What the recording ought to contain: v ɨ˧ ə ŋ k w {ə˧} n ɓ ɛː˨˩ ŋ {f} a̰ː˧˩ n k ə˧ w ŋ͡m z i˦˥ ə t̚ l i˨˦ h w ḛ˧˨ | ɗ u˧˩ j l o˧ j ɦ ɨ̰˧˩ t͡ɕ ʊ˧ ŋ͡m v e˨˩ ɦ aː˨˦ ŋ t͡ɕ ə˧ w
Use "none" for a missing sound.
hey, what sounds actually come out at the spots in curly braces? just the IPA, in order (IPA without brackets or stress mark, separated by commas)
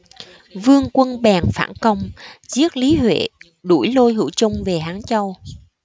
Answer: ə˧, f